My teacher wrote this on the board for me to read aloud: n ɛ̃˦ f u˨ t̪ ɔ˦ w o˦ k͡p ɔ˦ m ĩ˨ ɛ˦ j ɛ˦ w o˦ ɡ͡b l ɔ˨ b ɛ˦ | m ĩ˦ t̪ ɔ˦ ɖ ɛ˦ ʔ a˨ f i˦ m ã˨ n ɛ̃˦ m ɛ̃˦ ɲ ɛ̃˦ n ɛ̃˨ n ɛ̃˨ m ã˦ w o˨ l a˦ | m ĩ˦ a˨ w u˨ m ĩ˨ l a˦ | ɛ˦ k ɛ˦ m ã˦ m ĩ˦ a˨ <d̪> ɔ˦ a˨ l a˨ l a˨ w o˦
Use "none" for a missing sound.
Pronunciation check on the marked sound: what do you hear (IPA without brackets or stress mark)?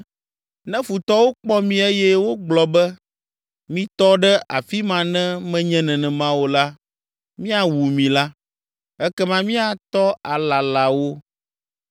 t̪